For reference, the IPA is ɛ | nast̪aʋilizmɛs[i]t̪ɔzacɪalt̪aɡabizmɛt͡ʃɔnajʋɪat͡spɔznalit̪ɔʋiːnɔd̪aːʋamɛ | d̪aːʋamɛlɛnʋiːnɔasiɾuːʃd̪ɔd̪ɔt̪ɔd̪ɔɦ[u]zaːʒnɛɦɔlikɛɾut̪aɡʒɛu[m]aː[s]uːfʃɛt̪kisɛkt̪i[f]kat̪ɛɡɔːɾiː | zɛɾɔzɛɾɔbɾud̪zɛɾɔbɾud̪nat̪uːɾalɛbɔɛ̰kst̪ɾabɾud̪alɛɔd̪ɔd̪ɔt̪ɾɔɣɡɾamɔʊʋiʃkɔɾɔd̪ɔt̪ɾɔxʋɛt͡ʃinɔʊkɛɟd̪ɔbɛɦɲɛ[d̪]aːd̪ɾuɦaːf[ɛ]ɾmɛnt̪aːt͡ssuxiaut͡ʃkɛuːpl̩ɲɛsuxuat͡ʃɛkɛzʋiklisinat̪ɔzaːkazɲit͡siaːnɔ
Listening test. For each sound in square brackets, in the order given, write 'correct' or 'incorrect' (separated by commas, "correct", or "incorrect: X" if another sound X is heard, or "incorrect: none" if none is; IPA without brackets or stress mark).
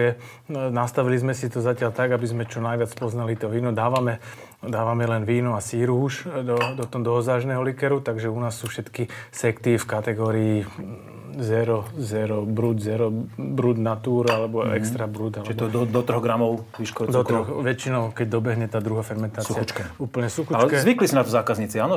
correct, incorrect: ɔ, incorrect: n, incorrect: sː, correct, incorrect: t̪, correct